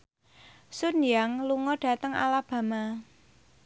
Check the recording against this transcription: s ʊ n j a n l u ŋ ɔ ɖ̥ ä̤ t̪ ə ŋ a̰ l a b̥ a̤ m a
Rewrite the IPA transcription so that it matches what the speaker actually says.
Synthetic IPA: s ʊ n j a ŋ l u ŋ ɔ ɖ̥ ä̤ t̪ ə ŋ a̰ l a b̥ a̤ m a